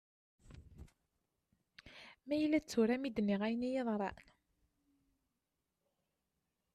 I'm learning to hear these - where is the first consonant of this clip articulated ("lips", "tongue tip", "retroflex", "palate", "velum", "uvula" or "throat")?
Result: lips